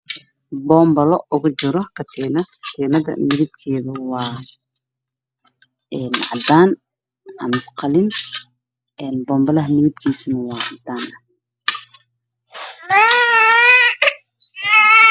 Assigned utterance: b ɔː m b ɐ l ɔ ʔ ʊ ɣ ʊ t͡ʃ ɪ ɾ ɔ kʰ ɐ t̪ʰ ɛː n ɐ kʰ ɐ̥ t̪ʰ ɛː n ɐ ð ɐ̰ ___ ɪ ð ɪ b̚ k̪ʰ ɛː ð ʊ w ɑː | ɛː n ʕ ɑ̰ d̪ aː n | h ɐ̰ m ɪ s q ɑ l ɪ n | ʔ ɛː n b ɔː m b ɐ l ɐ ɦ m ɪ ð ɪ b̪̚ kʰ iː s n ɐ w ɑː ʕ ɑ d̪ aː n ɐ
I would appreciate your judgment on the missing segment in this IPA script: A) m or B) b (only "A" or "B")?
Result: A